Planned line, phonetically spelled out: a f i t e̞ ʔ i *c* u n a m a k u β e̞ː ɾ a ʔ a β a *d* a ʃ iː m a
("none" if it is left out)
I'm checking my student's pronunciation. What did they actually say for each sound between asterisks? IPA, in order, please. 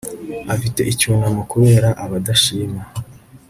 c, d

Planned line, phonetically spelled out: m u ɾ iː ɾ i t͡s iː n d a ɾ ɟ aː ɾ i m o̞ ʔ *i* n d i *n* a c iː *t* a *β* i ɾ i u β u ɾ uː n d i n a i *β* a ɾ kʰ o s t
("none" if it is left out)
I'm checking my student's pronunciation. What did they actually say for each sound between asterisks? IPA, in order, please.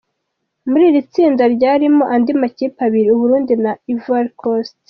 a, m, p, β, v

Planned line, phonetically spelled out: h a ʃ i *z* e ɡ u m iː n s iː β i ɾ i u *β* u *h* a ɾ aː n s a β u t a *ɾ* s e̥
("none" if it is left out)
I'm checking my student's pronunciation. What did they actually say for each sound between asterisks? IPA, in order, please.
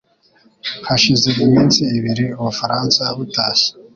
z, β, f, none

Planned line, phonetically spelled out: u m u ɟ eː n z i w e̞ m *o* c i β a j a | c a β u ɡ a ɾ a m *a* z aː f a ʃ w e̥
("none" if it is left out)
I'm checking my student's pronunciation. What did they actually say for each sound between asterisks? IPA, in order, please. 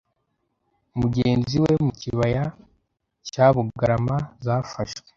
u, a

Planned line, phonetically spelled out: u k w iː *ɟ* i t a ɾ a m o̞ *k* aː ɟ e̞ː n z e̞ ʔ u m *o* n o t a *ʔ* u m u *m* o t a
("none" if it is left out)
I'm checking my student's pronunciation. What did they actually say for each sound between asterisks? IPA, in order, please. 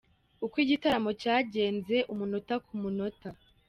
ɟ, c, u, k, n

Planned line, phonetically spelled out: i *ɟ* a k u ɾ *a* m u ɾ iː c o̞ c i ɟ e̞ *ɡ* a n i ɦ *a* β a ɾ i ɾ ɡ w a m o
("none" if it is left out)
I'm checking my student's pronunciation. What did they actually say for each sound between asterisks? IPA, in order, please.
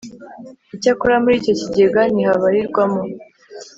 c, a, ɡ, a

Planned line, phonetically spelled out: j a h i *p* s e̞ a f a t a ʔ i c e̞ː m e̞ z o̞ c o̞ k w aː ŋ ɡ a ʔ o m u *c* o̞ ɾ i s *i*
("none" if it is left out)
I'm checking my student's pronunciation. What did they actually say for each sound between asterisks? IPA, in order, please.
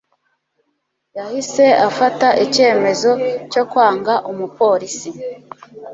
none, p, i

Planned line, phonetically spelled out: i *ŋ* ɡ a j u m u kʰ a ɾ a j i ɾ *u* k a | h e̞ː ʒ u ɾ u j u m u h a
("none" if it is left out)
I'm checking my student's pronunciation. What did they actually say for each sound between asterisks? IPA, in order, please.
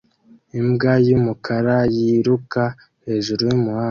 m, u

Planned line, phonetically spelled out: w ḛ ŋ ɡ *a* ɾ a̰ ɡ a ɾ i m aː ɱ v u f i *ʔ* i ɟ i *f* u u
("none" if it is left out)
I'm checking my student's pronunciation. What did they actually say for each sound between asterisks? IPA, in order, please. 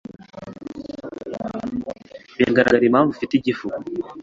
a, t, f

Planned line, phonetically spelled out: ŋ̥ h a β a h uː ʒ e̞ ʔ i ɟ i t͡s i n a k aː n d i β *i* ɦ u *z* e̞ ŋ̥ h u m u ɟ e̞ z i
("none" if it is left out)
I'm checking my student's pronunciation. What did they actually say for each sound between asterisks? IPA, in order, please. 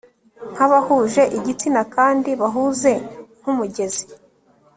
a, z

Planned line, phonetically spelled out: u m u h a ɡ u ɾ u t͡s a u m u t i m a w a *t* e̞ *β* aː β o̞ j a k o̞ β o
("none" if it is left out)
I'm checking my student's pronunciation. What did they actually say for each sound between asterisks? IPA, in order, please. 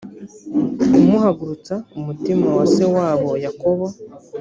s, w

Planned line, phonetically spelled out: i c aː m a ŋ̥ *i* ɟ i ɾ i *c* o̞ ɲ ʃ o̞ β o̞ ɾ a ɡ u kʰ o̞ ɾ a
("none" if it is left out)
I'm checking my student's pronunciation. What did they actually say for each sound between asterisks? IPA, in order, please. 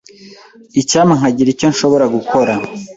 a, c

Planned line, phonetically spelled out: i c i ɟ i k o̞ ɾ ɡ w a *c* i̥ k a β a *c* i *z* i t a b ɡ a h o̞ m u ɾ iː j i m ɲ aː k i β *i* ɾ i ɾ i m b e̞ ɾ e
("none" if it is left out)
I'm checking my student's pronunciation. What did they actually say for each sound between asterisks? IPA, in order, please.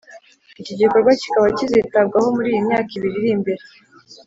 c, c, z, i

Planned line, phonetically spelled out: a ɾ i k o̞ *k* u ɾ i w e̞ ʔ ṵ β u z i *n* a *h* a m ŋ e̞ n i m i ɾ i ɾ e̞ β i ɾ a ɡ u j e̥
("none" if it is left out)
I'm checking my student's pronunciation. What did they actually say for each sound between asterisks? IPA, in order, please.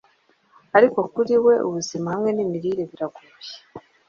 k, m, h

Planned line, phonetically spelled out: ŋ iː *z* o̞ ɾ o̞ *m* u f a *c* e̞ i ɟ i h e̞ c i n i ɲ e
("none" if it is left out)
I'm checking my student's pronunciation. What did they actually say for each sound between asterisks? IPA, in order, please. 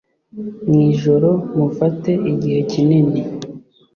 ʒ, m, t

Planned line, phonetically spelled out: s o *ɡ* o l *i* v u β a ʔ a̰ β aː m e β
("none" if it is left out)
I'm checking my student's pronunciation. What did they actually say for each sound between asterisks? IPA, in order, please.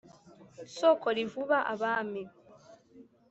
k, i

